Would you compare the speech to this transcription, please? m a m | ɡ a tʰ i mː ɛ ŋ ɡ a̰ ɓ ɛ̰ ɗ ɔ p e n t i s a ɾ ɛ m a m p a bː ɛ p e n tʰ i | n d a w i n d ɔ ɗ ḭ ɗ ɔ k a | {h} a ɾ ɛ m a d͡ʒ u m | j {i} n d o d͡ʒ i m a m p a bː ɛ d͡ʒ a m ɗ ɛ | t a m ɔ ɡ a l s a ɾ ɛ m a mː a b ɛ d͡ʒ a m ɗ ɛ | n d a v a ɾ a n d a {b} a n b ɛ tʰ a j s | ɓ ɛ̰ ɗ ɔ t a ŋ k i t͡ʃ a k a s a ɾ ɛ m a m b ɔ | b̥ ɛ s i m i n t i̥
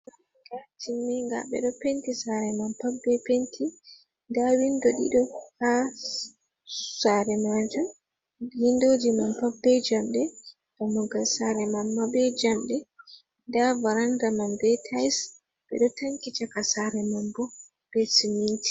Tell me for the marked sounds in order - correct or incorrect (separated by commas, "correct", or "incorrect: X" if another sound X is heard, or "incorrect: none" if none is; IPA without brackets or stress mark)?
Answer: incorrect: s, correct, incorrect: m